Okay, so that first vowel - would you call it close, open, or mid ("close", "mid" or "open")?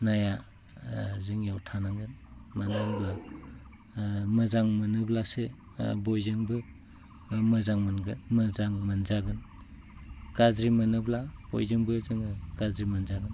open